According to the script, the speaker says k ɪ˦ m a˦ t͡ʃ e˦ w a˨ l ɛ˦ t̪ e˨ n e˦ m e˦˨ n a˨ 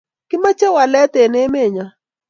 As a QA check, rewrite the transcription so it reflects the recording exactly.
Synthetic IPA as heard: k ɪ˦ m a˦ t͡ʃ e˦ w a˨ l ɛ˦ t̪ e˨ n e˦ m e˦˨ ɲ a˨